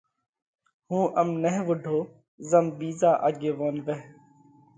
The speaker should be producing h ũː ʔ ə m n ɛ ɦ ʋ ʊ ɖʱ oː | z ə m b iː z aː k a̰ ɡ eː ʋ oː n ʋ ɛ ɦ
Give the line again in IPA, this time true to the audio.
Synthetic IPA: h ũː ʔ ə m n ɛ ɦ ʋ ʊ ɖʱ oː | z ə m b iː z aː ʔ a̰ ɡ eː ʋ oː n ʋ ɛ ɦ